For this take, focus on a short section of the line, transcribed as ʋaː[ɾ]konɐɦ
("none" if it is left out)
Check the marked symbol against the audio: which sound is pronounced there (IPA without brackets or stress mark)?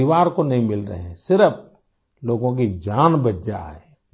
ɾ